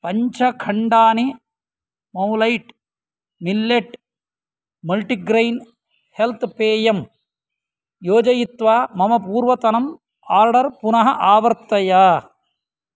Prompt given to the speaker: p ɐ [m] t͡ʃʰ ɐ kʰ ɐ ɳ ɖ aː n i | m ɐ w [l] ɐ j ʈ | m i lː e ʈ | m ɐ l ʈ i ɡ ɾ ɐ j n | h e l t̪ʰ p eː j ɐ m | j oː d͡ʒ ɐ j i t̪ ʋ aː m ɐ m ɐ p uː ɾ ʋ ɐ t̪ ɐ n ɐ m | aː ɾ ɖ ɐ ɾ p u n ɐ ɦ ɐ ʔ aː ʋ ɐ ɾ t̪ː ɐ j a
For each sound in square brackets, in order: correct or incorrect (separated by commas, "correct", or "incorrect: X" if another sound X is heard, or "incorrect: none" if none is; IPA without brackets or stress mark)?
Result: incorrect: ɲ, correct